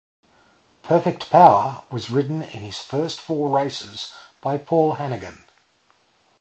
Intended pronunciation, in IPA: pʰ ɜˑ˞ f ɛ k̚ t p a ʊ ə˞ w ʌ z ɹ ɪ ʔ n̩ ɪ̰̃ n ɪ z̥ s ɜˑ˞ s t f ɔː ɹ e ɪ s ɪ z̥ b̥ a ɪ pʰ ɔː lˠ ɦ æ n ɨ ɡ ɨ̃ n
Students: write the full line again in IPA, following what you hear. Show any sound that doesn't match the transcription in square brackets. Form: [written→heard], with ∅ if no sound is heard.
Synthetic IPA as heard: pʰ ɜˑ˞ f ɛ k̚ t [p→pʰ] a ʊ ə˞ w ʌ z ɹ ɪ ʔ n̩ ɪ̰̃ n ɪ z̥ [s→f] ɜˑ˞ s t f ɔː ɹ e ɪ s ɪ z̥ b̥ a ɪ pʰ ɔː lˠ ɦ æ n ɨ ɡ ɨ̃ n

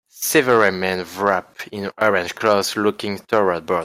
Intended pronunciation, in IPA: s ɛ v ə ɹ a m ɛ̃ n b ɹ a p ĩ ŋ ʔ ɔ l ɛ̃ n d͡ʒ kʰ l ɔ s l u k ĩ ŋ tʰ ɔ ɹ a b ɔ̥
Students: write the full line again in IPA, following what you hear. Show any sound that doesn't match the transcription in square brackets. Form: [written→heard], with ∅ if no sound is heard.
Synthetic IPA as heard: s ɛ v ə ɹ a m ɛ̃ n [b→v] ɹ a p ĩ [ŋ→n] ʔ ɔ [l→ɹ] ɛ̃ n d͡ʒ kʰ l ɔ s l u k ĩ ŋ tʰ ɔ ɹ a b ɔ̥

